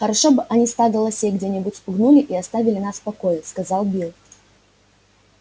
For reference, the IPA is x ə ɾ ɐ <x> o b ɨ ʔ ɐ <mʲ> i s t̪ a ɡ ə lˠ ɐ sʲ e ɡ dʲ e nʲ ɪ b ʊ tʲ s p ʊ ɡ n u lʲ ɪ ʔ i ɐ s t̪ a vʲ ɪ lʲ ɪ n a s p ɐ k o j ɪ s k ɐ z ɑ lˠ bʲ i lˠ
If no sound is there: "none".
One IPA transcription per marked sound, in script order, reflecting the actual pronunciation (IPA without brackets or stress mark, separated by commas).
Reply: ʂ, nʲ